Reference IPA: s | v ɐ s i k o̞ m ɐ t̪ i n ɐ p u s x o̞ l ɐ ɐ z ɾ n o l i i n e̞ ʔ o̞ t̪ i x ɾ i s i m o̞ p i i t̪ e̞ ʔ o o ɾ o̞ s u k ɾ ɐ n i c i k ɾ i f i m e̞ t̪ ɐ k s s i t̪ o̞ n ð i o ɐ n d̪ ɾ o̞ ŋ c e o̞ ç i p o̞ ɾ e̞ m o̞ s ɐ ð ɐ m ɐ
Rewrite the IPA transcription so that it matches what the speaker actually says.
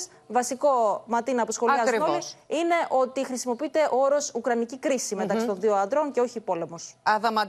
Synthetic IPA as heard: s | v ɐ s i k o̞ m ɐ t̪ i n ɐ p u s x o̞ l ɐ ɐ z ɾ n o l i i n e̞ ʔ o̞ t̪ i x ɾ i s i m o̞ p i i t̪ e̞ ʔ o o ɾ o̞ s u k ɾ ɐ n i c i k ɾ i s i m e̞ t̪ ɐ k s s i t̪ o̞ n ð i o ɐ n d̪ ɾ o̞ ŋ c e o̞ ç i p o̞ l e̞ m o̞ s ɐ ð ɐ m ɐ